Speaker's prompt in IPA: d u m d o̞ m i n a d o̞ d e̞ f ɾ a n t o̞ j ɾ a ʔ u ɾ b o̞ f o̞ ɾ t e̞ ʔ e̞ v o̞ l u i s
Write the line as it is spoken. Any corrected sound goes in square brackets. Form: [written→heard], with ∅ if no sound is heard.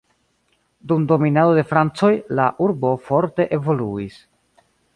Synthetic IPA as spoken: d u m d o̞ m i n a d o̞ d e̞ f ɾ a n [t→t͡s] o̞ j [ɾ→l] a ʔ u ɾ b o̞ f o̞ ɾ t e̞ ʔ e̞ v o̞ l u i s